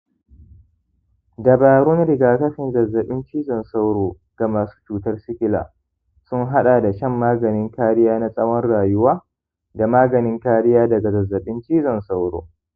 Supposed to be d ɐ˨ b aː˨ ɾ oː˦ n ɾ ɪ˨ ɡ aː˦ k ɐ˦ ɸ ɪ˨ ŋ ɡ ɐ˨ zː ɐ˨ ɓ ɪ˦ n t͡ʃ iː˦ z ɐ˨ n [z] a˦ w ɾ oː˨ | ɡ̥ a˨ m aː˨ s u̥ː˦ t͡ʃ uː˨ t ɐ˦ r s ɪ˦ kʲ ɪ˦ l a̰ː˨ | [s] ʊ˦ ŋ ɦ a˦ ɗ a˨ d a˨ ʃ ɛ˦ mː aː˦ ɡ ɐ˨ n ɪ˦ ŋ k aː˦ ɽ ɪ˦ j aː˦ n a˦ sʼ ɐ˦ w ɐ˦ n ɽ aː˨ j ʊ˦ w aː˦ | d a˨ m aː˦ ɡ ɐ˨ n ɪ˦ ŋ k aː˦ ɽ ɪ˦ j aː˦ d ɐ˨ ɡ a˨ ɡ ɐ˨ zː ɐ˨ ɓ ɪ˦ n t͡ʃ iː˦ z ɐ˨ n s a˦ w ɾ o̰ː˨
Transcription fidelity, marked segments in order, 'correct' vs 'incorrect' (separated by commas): incorrect, correct